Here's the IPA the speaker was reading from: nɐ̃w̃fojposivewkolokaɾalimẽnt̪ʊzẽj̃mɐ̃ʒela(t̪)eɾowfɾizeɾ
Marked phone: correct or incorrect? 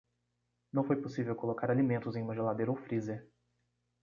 incorrect